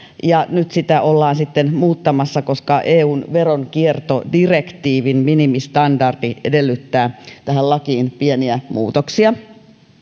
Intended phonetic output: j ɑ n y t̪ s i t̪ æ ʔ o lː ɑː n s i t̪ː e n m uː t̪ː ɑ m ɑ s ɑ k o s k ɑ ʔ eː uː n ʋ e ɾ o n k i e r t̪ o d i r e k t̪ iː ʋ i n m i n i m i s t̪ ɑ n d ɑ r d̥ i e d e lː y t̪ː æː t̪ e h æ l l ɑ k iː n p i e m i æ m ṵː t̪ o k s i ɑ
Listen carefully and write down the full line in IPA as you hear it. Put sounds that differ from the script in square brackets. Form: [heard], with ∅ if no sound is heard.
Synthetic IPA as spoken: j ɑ n y t̪ s i t̪ æ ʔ o lː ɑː n s i t̪ː e n m uː t̪ː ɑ m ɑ [sː] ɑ k o s k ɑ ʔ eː uː n ʋ e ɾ o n k i e r t̪ o d i r e k t̪ iː ʋ i n m i n i m i s t̪ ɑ n d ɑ r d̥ i e d e lː y t̪ː æː t̪ [æ] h æ l l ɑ k iː n p i e [n] i æ m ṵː t̪ o k s i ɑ